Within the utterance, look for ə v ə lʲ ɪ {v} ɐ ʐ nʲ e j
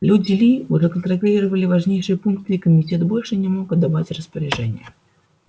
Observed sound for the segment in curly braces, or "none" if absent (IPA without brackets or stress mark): v